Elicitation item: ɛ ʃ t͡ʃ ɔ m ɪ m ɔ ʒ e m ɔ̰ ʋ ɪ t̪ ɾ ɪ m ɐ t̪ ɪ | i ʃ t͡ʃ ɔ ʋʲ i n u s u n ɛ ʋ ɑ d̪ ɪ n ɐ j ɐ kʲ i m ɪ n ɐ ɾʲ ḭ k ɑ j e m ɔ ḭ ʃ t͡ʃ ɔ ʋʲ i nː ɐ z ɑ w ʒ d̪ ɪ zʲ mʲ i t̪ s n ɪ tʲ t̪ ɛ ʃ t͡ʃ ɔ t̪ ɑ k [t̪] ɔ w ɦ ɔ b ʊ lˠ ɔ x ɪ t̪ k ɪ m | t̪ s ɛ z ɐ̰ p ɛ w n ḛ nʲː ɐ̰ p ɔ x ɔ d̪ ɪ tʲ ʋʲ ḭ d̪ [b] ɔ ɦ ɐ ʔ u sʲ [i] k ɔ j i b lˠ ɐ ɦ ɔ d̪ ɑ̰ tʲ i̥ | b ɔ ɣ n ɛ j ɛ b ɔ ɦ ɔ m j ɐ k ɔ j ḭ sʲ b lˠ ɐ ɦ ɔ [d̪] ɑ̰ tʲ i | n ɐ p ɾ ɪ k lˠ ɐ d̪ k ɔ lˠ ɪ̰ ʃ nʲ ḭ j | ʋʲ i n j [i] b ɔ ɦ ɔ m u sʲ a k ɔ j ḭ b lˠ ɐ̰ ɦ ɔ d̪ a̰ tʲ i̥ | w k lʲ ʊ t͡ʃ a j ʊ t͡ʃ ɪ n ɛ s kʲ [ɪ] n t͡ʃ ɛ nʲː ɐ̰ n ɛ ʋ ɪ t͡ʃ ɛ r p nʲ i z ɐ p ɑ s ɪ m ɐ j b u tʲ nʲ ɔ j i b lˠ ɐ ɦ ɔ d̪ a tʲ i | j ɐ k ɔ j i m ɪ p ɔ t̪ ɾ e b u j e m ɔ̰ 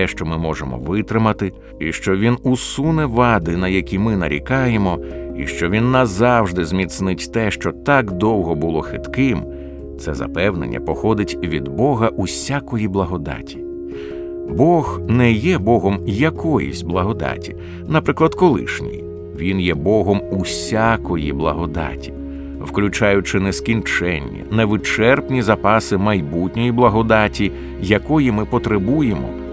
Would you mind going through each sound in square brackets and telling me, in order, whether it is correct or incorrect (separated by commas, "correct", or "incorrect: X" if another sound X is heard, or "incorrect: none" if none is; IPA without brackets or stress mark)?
incorrect: d̪, correct, incorrect: a, correct, incorrect: ɛ, incorrect: i